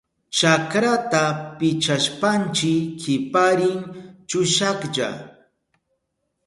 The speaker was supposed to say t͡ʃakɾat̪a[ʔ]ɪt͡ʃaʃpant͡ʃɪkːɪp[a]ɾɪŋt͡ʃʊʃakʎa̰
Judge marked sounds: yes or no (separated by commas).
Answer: no, yes